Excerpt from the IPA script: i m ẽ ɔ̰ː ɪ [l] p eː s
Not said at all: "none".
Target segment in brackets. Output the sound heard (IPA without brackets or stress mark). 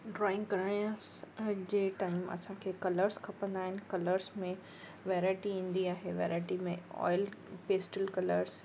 l